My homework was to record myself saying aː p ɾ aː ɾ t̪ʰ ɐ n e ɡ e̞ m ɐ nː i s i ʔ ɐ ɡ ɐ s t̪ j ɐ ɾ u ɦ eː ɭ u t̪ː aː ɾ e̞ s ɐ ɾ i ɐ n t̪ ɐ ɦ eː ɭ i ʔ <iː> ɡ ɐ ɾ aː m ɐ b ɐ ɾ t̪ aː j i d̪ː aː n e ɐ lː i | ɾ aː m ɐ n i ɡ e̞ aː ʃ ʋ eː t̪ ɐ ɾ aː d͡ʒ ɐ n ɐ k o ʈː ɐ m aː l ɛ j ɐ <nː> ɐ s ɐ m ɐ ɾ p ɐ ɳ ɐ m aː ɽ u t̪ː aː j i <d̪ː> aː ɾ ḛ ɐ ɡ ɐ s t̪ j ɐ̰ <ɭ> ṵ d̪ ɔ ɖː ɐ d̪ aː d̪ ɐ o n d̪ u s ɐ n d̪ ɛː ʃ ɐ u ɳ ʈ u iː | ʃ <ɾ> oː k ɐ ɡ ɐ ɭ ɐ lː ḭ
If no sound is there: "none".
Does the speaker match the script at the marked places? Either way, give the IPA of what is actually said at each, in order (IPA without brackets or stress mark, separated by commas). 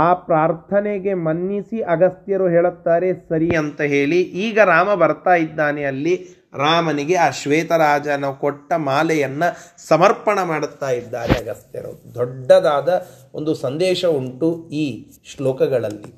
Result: iː, nː, d̪ː, ɾ, l